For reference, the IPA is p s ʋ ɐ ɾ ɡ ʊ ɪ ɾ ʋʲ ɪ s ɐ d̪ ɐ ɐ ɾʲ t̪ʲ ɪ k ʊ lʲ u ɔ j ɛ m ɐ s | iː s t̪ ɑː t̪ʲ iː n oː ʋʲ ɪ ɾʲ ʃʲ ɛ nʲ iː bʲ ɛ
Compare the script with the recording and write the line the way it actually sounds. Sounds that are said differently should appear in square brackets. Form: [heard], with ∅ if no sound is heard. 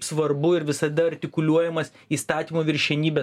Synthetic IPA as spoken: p s ʋ ɐ ɾ [b] ʊ ɪ ɾ ʋʲ ɪ s ɐ d̪ ɐ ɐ ɾʲ t̪ʲ ɪ k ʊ lʲ u ɔ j ɛ m ɐ s | iː s t̪ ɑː t̪ʲ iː [m] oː ʋʲ ɪ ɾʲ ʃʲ ɛ nʲ iː bʲ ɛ